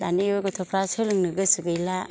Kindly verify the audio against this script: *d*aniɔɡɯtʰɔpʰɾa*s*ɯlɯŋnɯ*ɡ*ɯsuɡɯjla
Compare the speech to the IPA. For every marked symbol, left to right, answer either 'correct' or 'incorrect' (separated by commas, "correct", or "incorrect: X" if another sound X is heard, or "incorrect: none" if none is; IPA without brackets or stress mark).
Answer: correct, correct, correct